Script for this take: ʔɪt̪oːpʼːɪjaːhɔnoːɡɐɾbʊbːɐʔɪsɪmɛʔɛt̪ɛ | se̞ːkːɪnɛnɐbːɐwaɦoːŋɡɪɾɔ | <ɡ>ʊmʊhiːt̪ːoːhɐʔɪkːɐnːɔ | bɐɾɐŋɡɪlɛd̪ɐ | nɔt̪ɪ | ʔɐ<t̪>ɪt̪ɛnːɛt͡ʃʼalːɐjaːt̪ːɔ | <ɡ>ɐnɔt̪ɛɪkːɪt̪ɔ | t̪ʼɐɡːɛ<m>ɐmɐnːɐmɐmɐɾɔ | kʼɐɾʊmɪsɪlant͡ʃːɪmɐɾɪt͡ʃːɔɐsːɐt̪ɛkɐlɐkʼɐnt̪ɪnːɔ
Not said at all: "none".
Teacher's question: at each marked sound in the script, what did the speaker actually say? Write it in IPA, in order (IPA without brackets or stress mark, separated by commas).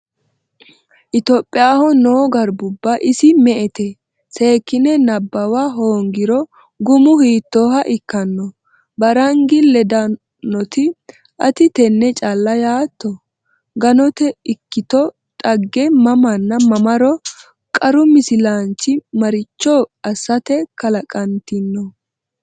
ɡ, t̪, ɡ, m